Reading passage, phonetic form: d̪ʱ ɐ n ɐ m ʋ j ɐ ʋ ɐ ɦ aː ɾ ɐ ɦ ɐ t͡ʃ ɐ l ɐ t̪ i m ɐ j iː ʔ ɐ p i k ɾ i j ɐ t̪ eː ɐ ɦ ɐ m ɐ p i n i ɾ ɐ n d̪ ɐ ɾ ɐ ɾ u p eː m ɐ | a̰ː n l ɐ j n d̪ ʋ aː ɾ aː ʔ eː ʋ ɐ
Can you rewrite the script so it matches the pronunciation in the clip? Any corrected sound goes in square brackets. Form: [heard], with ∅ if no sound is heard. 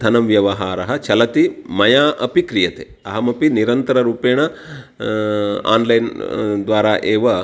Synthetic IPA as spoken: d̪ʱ ɐ n ɐ m ʋ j ɐ ʋ ɐ ɦ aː ɾ ɐ ɦ ɐ t͡ʃ ɐ l ɐ t̪ i m ɐ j [aː] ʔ ɐ p i k ɾ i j ɐ t̪ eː ɐ ɦ ɐ m ɐ p i n i ɾ ɐ n [t̪] ɐ ɾ ɐ ɾ [uː] p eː [ɳ] ɐ | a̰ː n l ɐ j n d̪ ʋ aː ɾ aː ʔ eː ʋ ɐ

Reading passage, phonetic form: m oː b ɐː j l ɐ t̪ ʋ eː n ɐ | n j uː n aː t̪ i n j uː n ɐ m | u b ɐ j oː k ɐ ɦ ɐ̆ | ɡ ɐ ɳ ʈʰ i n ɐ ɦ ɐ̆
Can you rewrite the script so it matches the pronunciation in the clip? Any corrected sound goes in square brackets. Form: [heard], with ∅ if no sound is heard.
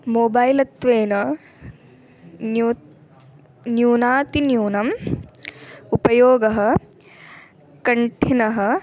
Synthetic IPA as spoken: m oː b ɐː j l ɐ t̪ ʋ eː n ɐ | n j uː n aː t̪ i n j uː n ɐ m | u [p] ɐ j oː [ɡ] ɐ ɦ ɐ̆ | [k] ɐ ɳ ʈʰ i n ɐ ɦ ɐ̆

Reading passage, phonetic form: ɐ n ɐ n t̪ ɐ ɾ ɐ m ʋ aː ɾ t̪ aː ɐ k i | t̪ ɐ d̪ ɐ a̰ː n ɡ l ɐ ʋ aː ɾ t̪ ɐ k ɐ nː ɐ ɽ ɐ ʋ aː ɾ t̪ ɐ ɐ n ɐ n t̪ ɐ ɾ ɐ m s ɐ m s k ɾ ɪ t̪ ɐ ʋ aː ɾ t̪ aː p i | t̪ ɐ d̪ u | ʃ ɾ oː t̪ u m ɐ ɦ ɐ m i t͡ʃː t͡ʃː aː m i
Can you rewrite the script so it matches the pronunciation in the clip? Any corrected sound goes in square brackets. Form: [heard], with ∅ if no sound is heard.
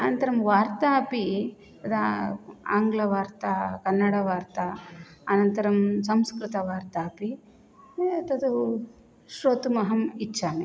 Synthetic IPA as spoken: ɐ n ɐ n t̪ ɐ ɾ ɐ m ʋ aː ɾ t̪ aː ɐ [p] i | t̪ ɐ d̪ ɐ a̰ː [ŋ] ɡ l ɐ ʋ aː ɾ t̪ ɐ k ɐ nː ɐ ɽ ɐ ʋ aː ɾ t̪ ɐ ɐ n ɐ n t̪ ɐ ɾ ɐ m s ɐ m s k ɾ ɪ t̪ ɐ ʋ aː ɾ t̪ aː p i | t̪ ɐ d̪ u | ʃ ɾ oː t̪ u m ɐ ɦ ɐ m i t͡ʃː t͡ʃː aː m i

